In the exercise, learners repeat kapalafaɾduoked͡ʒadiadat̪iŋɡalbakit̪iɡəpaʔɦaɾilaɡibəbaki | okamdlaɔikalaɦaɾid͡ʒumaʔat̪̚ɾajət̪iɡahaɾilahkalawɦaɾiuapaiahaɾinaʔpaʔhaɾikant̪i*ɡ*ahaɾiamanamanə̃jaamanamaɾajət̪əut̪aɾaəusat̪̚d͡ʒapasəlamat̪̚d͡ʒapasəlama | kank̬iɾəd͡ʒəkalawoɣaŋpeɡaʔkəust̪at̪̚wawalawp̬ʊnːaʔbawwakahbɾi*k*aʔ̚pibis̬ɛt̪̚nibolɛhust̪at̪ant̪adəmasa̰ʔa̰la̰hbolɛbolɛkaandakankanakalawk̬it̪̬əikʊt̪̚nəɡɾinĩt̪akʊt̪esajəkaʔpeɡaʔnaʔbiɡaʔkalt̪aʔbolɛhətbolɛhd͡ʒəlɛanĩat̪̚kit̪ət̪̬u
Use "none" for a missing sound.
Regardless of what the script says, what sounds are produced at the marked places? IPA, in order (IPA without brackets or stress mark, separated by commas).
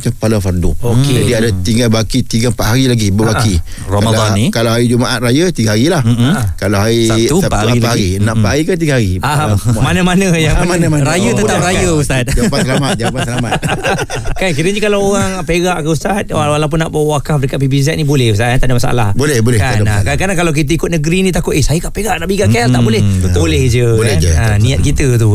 ɡ, k